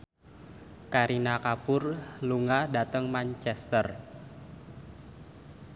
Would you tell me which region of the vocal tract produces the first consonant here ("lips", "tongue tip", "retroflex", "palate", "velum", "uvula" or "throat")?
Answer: velum